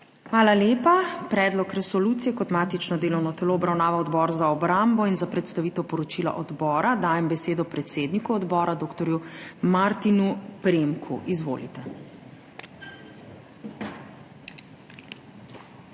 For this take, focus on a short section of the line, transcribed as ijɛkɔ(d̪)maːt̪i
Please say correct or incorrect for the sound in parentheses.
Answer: incorrect